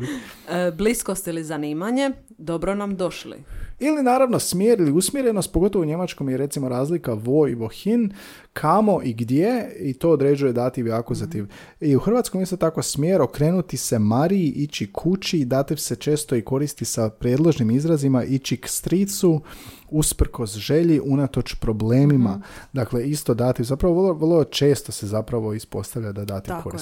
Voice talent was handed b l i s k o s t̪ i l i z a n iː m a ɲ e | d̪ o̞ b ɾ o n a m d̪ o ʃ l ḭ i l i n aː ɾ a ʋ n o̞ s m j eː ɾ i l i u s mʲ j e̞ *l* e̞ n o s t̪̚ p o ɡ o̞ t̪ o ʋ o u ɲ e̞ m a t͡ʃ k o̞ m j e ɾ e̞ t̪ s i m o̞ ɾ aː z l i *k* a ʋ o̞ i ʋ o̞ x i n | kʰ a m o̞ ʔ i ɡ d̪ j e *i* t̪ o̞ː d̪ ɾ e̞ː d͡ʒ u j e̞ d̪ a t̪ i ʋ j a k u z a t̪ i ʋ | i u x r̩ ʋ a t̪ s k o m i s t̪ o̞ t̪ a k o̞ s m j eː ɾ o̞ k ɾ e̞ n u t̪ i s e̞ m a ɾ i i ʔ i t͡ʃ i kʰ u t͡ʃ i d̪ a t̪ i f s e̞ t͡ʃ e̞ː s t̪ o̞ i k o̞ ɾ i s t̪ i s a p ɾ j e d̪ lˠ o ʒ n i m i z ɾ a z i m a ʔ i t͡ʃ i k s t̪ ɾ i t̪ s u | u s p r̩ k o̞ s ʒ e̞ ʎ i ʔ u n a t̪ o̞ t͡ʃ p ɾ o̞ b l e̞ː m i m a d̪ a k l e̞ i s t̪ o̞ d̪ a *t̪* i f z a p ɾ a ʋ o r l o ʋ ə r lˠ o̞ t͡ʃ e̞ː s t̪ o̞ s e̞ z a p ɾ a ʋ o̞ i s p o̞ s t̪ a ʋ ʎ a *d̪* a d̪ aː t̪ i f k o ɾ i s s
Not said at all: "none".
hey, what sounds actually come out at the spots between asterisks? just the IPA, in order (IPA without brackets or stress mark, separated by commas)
ɾ, k, i, t̪, d̪